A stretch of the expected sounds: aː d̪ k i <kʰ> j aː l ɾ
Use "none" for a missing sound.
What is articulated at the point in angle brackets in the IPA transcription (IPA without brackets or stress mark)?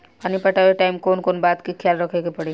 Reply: kʰ